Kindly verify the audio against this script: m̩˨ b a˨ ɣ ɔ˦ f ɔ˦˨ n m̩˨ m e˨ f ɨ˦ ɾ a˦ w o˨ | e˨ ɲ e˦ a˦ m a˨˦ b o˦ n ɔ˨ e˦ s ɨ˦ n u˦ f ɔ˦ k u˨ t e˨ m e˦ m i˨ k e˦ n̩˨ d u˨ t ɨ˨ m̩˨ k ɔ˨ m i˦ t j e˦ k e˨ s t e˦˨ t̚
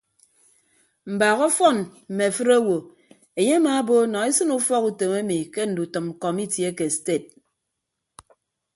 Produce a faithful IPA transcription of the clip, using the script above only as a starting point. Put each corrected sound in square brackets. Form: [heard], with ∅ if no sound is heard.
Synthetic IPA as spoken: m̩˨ b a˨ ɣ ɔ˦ f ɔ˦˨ n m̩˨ m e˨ f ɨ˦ ɾ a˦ w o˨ | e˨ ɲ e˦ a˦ m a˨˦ b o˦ n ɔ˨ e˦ s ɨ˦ n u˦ f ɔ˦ k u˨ t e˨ m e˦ m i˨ k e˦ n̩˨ d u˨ t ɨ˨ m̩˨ k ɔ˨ m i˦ t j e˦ k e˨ s t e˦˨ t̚